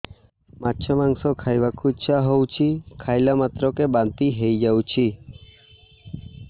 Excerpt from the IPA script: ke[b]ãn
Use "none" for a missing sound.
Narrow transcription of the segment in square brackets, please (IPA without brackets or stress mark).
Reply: b